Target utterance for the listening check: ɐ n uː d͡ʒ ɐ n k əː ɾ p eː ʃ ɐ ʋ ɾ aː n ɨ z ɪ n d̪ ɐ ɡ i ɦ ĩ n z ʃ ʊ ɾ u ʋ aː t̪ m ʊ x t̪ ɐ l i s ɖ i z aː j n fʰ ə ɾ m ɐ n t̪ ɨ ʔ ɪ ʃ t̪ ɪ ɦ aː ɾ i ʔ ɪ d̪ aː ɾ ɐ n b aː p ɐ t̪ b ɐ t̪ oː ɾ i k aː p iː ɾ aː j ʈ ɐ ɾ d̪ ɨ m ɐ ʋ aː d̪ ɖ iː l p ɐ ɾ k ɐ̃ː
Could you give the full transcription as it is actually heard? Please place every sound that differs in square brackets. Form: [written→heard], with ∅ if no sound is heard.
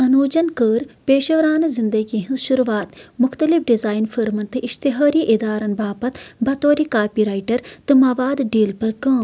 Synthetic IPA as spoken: ɐ n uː d͡ʒ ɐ n k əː ɾ p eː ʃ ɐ ʋ ɾ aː n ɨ z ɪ n d̪ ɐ ɡ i ɦ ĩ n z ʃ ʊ ɾ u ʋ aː t̪ m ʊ x t̪ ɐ l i [s→f] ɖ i z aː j n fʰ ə ɾ m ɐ n t̪ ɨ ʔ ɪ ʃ t̪ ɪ ɦ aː ɾ i ʔ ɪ d̪ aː ɾ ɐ n b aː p ɐ t̪ b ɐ t̪ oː ɾ i k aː p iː ɾ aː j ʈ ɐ ɾ [d̪→t̪] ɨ m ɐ ʋ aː d̪ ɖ iː l p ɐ ɾ k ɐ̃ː